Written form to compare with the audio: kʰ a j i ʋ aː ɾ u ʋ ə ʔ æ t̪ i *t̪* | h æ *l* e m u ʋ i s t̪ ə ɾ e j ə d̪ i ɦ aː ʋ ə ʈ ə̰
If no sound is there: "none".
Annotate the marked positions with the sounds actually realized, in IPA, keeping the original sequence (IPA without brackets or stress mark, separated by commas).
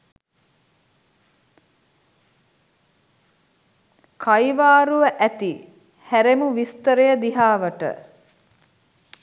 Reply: none, ɾ